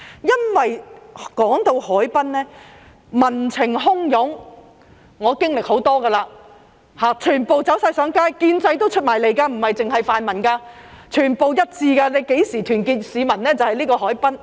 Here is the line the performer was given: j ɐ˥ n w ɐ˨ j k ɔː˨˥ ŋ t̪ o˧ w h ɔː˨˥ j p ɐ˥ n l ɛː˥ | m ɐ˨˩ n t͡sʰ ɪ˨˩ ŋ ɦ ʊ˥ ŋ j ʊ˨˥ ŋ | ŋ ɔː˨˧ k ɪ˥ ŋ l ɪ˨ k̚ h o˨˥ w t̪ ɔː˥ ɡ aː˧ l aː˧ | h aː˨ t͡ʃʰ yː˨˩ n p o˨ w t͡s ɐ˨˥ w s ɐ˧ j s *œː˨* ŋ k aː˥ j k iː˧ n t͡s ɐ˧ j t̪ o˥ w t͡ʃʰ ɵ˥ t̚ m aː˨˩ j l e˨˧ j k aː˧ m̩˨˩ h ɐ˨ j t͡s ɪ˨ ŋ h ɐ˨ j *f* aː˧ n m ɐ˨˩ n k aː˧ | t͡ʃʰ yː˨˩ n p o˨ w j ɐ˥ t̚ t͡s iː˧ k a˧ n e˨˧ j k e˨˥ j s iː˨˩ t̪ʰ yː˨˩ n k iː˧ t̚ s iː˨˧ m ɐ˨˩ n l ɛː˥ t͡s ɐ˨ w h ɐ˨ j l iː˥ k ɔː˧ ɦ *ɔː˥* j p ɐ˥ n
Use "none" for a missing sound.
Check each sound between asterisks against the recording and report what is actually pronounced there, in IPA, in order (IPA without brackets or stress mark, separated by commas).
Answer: œː˨˥, f, ɔː˨˥